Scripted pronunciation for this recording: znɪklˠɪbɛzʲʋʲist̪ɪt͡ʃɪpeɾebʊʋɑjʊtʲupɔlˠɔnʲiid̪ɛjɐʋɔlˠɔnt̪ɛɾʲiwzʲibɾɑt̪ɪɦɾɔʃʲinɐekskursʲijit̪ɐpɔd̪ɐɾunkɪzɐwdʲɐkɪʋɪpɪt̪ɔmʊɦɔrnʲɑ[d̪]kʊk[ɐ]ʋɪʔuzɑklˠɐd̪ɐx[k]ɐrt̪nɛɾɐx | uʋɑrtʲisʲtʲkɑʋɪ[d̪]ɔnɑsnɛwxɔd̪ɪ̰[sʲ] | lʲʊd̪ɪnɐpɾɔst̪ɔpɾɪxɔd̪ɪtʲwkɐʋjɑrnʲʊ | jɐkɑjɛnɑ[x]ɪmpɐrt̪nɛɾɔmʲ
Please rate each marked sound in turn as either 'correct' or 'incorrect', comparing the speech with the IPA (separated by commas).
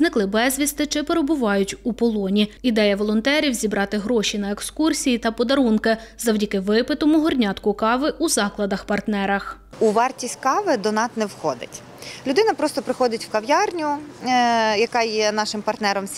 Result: incorrect, incorrect, incorrect, correct, incorrect, incorrect